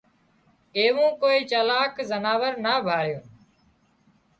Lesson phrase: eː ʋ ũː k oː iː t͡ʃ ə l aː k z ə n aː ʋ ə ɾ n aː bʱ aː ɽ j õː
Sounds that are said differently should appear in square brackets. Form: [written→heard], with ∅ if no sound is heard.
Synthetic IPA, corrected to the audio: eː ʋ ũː k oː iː t͡ʃ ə l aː k z ə n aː ʋ ə ɾ n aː bʱ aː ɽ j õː